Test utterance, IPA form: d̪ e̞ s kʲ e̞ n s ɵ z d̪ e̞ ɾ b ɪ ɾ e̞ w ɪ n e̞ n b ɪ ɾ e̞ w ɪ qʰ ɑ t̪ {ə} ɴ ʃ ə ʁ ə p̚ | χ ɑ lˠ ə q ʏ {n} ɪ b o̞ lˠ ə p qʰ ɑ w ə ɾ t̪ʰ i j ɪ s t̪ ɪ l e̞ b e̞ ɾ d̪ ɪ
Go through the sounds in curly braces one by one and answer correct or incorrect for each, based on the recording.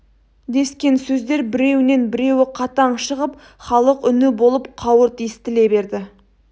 incorrect: ɑ, correct

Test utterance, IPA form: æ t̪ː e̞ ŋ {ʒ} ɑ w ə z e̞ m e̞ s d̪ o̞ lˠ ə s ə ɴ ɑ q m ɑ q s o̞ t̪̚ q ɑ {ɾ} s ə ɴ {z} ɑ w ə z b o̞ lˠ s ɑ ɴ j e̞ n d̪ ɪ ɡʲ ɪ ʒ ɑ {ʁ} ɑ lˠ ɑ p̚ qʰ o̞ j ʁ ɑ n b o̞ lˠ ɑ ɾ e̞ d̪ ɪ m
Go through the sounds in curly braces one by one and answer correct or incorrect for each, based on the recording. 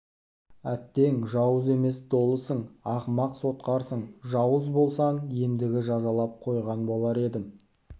correct, correct, incorrect: ʒ, incorrect: z

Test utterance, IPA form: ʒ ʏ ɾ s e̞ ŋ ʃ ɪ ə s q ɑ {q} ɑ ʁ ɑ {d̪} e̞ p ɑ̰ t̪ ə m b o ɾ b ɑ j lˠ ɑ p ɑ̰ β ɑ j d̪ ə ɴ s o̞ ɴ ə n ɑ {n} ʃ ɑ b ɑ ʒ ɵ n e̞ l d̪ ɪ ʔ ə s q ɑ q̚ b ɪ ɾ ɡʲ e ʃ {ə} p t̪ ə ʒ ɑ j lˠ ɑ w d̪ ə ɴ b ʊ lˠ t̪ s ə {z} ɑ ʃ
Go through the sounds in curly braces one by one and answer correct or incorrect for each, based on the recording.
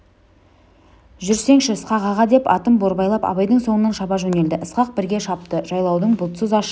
correct, correct, correct, incorrect: ɑ, correct

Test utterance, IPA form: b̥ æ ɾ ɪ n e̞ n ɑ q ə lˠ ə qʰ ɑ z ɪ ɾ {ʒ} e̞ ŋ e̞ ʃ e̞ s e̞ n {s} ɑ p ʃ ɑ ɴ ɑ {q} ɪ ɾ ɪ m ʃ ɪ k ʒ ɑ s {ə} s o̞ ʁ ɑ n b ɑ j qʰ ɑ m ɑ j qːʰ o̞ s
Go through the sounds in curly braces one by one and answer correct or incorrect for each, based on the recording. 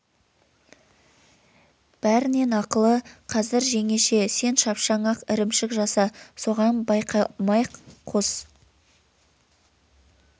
correct, incorrect: ʃ, correct, incorrect: ɑ

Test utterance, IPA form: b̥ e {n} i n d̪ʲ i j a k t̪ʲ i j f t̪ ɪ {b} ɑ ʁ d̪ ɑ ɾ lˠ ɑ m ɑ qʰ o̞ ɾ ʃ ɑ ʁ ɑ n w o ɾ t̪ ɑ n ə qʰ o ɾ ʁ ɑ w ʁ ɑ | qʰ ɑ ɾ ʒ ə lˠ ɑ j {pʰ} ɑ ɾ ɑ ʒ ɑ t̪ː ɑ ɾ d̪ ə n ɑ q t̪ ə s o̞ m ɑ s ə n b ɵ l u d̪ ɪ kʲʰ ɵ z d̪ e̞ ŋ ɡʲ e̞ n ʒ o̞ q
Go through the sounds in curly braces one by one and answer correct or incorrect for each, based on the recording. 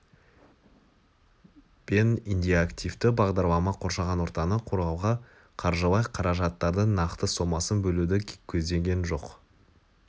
correct, correct, incorrect: qʰ

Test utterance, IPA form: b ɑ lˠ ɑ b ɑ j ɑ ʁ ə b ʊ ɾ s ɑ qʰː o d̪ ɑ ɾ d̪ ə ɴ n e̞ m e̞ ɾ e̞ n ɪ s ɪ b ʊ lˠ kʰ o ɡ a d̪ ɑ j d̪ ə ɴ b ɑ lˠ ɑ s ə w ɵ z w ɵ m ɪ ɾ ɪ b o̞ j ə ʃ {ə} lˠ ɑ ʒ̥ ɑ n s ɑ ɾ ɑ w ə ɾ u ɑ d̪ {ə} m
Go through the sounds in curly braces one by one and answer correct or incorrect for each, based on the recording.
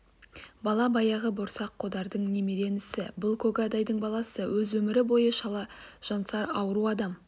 incorrect: ɑ, incorrect: ɑ

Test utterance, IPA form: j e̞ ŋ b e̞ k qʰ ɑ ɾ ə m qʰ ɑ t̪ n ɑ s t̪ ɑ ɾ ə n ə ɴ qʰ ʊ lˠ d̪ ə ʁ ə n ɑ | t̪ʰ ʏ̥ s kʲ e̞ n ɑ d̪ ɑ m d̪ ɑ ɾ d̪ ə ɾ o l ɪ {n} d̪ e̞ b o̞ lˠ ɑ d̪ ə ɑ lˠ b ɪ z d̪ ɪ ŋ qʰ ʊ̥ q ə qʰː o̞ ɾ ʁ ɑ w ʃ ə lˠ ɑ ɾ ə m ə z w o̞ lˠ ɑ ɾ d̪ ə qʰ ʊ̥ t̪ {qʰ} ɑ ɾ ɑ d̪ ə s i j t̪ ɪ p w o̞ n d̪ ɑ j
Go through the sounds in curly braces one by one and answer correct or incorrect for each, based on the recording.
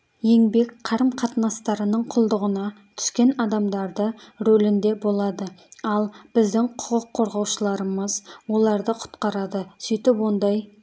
correct, incorrect: q

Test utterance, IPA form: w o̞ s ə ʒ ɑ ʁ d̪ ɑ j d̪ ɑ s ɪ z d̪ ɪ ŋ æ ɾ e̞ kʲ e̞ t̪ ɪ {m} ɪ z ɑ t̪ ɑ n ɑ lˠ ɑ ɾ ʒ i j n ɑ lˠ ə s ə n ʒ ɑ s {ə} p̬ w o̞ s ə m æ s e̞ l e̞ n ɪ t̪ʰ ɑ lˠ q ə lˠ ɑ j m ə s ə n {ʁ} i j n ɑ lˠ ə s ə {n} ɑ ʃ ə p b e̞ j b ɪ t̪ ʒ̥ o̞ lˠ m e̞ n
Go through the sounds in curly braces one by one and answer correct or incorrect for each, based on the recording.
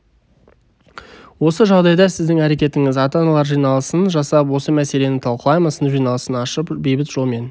incorrect: ŋ, incorrect: ɑ, incorrect: ʒ, correct

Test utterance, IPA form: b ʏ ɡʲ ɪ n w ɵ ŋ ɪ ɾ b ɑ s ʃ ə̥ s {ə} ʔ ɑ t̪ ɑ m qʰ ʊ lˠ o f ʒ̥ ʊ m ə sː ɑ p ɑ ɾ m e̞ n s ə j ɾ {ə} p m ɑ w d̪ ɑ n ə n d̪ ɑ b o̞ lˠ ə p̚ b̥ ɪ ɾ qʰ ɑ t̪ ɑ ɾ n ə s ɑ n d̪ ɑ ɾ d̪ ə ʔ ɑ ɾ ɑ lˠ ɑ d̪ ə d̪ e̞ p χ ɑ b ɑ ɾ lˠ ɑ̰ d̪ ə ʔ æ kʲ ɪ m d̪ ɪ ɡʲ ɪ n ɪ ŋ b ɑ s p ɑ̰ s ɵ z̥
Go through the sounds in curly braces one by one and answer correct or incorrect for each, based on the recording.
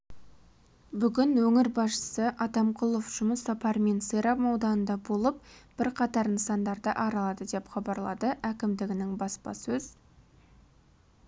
correct, incorrect: ɑ

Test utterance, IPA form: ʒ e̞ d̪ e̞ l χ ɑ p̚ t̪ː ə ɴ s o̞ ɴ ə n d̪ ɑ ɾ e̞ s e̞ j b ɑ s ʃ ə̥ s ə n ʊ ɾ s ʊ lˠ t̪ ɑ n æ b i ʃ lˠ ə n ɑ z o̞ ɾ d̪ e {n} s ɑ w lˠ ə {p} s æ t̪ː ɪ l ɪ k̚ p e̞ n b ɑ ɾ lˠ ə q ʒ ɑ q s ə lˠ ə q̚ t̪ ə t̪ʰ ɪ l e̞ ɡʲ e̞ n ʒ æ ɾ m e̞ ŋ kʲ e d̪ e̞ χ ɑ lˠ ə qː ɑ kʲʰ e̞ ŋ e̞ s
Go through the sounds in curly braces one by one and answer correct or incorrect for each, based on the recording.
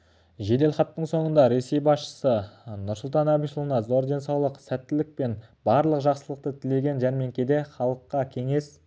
correct, incorrect: q

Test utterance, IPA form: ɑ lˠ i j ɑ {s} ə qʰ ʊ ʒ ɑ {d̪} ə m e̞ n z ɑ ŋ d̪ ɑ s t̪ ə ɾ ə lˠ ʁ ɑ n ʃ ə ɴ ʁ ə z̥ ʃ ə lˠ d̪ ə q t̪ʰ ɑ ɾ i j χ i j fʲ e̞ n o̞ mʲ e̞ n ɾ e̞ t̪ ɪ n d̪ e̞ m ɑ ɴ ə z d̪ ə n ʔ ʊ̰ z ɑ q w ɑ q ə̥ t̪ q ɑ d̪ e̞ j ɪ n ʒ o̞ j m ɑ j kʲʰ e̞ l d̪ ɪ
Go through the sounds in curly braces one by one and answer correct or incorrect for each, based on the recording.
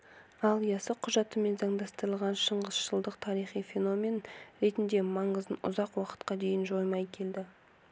correct, incorrect: t̪

